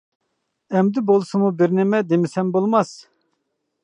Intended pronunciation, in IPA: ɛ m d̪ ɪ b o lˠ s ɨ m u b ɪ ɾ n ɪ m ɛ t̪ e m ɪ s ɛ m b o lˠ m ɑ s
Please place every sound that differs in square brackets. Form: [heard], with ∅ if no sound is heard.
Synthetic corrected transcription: ɛ m d̪ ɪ b o lˠ s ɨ m u b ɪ ɾ n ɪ m ɛ [d̪] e m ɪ s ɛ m b o lˠ m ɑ s